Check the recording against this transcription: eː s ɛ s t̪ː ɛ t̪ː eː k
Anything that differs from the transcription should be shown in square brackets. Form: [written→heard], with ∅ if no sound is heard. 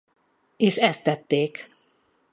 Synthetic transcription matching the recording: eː [s→ʃ] ɛ s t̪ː ɛ t̪ː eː k